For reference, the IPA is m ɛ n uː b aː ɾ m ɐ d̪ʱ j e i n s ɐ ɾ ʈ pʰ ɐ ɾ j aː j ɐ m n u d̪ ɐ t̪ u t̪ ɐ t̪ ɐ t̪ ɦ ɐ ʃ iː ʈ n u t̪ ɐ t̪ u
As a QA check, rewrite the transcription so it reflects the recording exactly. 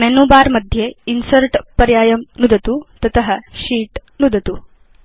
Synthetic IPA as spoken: m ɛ n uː b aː ɾ m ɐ d̪ʱ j e i n s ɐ ɾ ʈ p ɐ ɾ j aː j ɐ m n u d̪ ɐ t̪ u t̪ ɐ t̪ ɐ ɦ ɐ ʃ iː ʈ n u d̪ ɐ t̪ u